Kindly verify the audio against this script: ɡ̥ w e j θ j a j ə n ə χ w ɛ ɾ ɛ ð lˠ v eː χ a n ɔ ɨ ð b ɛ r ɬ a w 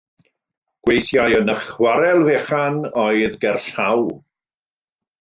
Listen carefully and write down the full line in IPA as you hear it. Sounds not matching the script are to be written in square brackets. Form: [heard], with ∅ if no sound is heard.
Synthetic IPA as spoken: ɡ̥ w e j θ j a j ə n ə χ w [a] ɾ ɛ [∅] lˠ v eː χ a n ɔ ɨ ð [ɡ] ɛ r ɬ a w